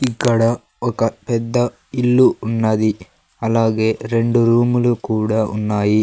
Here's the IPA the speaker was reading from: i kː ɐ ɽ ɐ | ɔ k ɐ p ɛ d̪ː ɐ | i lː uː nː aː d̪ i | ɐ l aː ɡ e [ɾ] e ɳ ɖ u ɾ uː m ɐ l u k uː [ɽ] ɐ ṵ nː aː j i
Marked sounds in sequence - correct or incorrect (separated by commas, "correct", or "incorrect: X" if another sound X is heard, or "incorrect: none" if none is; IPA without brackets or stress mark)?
correct, correct